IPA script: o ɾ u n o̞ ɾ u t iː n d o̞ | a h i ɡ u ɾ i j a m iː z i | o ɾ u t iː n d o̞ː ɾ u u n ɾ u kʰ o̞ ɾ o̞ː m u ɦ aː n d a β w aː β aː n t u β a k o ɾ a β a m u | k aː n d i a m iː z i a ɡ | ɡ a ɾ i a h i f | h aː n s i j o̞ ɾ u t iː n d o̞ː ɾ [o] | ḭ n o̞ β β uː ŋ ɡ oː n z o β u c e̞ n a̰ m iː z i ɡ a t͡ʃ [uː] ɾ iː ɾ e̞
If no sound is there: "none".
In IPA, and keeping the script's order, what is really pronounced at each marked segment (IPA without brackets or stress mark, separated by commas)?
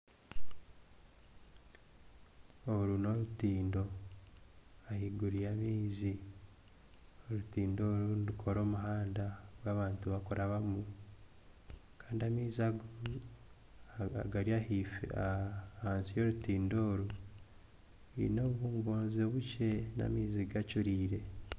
u, u